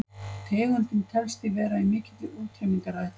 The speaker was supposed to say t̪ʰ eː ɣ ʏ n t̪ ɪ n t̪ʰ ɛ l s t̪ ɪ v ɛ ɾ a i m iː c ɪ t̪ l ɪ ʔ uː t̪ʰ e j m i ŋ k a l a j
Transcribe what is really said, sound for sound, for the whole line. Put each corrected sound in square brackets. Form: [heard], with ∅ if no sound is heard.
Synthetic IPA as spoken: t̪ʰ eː ɣ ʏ n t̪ ɪ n t̪ʰ ɛ l s t̪ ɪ v [ɛː] ɾ a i m [ɪː] c ɪ t̪ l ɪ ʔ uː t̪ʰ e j m i ŋ k a [ɾ] a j